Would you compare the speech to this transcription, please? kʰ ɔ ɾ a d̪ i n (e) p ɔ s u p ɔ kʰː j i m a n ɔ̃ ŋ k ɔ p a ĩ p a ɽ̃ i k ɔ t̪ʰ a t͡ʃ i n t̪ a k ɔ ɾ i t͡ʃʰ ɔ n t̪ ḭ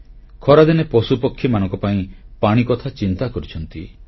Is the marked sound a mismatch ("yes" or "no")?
no